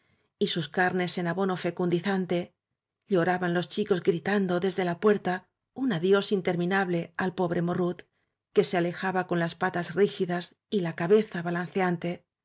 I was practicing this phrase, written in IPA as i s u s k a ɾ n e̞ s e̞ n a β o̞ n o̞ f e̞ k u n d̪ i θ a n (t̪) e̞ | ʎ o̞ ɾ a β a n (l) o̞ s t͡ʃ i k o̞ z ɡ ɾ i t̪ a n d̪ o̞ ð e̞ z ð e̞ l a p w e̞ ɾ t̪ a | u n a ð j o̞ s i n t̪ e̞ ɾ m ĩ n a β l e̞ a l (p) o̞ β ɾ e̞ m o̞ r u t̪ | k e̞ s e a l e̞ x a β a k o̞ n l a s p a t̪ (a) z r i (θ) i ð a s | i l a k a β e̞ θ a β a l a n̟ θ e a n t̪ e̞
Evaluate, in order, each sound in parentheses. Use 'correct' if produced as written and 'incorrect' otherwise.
correct, correct, correct, correct, incorrect: x

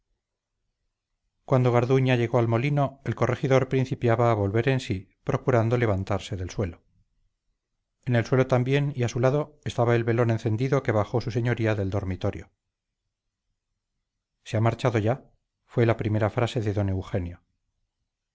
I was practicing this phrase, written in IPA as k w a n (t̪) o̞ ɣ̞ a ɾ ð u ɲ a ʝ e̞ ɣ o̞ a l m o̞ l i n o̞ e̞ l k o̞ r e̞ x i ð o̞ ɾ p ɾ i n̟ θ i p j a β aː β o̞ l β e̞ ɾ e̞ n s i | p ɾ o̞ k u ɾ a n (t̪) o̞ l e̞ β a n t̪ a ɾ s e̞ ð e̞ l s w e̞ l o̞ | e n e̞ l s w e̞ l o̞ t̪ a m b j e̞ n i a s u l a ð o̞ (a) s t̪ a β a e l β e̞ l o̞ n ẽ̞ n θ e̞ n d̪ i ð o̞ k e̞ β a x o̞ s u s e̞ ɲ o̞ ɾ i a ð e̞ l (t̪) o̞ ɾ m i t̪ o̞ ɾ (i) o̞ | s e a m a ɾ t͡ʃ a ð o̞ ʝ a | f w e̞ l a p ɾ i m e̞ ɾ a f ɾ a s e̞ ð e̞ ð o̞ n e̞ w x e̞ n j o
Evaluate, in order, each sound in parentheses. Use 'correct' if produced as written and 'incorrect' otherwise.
incorrect: d̪, incorrect: d̪, incorrect: e, incorrect: d̪, incorrect: j

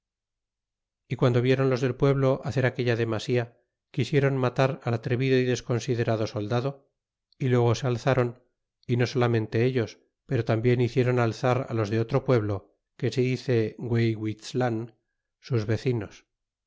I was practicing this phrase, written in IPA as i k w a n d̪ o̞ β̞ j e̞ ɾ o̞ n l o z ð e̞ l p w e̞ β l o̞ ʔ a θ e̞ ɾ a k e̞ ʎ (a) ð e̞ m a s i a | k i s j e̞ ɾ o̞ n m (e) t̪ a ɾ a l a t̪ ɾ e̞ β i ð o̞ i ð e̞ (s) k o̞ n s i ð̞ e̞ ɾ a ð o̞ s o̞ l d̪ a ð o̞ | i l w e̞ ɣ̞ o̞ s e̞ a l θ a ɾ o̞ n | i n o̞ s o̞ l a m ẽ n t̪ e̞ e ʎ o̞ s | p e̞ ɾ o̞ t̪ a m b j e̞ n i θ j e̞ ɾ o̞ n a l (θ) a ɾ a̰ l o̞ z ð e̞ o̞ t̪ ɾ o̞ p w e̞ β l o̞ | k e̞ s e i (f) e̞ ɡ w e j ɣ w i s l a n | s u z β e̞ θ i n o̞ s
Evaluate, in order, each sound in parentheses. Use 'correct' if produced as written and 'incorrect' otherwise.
correct, incorrect: a, correct, correct, incorrect: θ

